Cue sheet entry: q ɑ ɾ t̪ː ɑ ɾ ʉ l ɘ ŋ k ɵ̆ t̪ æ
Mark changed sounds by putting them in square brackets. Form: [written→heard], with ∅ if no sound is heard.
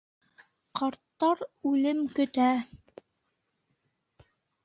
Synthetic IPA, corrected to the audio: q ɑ ɾ t̪ː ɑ ɾ ʉ l ɘ [ŋ→m] k ɵ̆ t̪ æ